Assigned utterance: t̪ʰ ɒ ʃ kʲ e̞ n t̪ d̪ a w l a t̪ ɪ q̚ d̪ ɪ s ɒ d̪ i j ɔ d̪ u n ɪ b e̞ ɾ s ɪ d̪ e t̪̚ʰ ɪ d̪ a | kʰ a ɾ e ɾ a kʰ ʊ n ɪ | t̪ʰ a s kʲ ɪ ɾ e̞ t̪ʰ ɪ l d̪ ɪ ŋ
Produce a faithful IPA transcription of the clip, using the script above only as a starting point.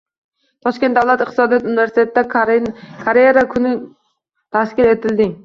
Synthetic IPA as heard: t̪ʰ ɒ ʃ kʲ e̞ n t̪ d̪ a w l a t̪ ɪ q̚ t̪ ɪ s ɒ d̪ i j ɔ t̪ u n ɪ v e̞ ɾ s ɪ t̪ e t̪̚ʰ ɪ d̪ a | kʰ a ɾ e ɾ a kʰ ʊ n ɪ | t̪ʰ a s kʲ ɪ ɾ e̞ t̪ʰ ɪ l d̪ ɪ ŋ